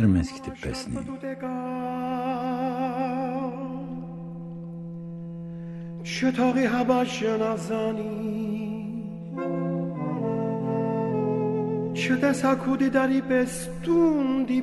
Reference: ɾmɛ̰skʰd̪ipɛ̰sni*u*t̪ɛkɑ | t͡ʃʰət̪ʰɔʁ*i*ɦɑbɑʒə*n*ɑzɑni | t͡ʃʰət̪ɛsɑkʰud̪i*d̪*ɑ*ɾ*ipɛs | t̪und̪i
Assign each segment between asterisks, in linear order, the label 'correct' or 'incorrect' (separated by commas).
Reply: correct, correct, correct, correct, correct